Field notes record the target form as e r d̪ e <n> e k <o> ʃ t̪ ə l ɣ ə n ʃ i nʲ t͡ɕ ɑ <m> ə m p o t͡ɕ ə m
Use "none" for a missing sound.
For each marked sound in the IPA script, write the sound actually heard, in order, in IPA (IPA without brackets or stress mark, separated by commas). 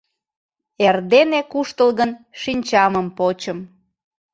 n, u, m